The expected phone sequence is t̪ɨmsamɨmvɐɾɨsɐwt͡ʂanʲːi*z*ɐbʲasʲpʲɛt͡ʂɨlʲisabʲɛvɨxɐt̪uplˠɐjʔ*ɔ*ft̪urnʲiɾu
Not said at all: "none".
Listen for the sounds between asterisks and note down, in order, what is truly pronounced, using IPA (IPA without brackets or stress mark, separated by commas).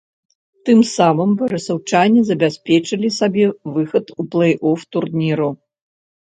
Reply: z, ɔ